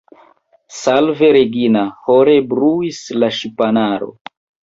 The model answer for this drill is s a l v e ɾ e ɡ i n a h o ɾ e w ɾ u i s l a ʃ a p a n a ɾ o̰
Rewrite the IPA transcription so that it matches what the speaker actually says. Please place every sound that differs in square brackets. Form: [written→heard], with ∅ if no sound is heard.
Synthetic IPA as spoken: s a l v e ɾ e ɡ i n a h o ɾ e [w→b] ɾ u i s l a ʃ [a→i] p a n a ɾ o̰